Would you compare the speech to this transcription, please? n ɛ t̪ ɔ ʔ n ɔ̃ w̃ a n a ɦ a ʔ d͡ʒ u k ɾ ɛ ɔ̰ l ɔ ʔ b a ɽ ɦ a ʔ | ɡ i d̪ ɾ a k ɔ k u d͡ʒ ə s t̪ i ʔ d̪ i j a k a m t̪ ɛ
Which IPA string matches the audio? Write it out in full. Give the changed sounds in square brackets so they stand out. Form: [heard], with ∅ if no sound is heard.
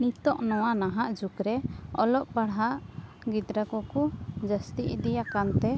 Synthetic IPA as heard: n [i] t̪ ɔ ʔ n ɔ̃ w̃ a n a ɦ a ʔ d͡ʒ u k ɾ ɛ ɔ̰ l ɔ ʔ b a ɽ ɦ a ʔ | ɡ i d̪ ɾ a k ɔ k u d͡ʒ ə s t̪ i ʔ d̪ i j a k a [n] t̪ ɛ